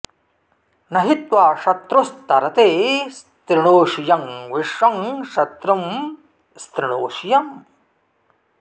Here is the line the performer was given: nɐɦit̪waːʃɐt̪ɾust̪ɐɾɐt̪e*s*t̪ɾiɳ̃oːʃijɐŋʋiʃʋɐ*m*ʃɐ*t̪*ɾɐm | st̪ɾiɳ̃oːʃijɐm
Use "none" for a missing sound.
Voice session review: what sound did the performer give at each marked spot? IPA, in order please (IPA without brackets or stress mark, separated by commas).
s, ŋ, t̪